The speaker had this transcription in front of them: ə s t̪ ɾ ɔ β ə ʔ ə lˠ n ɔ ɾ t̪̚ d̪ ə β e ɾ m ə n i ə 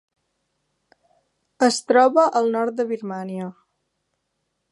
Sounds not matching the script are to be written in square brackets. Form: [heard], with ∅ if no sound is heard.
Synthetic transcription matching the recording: ə s t̪ ɾ ɔ β ə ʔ ə lˠ n ɔ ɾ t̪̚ d̪ ə β [i] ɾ m [a] n i ə